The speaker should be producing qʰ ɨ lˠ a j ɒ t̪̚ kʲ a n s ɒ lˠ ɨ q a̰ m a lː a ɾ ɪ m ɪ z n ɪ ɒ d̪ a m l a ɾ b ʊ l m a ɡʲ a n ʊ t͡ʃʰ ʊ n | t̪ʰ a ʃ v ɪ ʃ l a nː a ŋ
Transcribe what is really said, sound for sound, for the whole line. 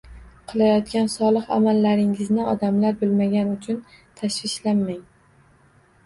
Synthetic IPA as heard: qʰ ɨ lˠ a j ɒ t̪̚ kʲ a n s ɒ lˠ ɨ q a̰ m a lː a ɾ ɪ ŋ ɪ z n ɪ ɒ d̪ a m l a ɾ b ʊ l m a ɡʲ a n ʊ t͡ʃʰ ʊ n | t̪ʰ a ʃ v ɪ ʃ l a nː a ŋ